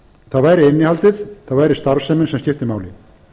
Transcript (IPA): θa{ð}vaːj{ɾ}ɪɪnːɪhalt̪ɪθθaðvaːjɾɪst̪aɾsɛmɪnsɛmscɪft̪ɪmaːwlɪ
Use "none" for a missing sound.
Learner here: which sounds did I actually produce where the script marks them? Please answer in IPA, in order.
ð, ɾ

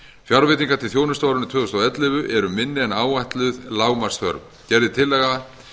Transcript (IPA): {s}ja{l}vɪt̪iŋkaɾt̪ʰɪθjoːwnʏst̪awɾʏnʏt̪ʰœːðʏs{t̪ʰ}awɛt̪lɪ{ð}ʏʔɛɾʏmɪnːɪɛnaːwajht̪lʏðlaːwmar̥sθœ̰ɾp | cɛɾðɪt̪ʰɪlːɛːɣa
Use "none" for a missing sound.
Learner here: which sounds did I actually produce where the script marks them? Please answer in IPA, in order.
f, ɾ, t̪, v

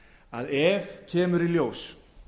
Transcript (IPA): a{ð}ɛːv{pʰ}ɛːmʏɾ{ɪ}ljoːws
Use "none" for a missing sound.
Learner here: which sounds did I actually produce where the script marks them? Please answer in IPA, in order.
ð, cʰ, i

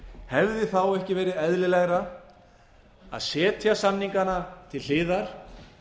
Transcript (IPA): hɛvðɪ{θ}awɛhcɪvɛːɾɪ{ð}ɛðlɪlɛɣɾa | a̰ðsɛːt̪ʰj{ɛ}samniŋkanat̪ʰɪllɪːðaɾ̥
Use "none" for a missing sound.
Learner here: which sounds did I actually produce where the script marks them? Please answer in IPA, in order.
θ, ð, a

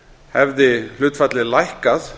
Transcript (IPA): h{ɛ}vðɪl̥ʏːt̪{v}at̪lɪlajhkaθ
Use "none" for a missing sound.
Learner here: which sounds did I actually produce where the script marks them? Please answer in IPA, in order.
ɛ, f

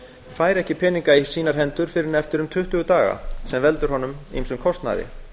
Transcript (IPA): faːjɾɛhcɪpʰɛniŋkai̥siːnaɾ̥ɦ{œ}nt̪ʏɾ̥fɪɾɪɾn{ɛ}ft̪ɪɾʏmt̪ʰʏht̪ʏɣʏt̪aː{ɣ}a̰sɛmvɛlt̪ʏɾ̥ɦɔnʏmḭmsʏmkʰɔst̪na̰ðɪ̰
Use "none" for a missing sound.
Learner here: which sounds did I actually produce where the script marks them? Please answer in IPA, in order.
ɛ, ɛ, ɣ

